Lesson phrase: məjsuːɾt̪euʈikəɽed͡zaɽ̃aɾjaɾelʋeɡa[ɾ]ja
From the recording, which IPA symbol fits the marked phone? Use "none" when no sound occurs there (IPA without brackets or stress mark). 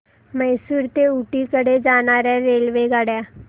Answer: ɽ